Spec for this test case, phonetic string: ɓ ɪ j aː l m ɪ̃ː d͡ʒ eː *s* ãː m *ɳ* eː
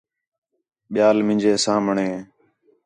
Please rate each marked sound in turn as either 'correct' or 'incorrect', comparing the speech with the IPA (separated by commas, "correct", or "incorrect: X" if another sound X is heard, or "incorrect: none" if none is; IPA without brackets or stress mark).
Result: correct, correct